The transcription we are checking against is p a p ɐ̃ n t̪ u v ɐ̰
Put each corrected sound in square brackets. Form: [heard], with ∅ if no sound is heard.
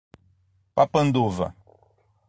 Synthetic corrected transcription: p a p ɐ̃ n [d̪] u v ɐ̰